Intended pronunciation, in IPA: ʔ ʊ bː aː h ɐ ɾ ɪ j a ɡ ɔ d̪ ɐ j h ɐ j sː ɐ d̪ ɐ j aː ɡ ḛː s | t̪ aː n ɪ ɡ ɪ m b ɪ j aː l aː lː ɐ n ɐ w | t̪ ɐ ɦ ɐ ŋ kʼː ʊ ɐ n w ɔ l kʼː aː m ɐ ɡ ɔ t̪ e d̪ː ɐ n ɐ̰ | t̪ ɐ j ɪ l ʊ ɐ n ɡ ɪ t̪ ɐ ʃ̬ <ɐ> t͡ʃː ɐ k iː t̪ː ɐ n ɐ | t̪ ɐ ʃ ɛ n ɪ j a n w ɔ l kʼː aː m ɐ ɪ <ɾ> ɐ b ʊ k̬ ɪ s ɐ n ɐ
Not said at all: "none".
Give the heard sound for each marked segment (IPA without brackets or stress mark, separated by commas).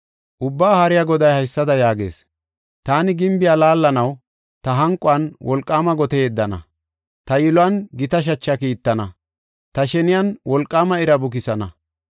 ɐ, ɾ